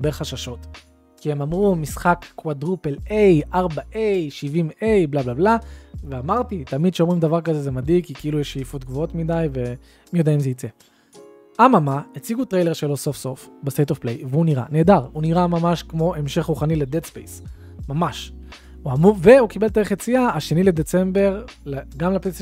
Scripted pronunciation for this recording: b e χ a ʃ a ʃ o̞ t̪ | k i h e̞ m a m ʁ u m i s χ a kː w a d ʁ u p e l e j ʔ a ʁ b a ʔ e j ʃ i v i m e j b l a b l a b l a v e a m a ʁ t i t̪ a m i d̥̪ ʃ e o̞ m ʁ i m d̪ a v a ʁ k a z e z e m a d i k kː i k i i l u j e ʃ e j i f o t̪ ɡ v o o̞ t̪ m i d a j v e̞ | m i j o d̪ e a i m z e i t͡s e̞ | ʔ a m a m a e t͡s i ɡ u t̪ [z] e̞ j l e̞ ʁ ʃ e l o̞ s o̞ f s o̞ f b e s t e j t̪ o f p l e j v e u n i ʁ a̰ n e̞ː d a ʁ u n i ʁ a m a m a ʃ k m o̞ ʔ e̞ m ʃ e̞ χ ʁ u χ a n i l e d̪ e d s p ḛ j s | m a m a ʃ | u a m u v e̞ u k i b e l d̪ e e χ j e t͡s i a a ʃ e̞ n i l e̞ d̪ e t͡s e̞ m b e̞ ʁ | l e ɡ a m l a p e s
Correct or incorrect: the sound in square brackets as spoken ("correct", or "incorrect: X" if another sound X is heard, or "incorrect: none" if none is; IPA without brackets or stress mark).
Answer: incorrect: ʁ